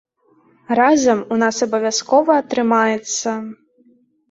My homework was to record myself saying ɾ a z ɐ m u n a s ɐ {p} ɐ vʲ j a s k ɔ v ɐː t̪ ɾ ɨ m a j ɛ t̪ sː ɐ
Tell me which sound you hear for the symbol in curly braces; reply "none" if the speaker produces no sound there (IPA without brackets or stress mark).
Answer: b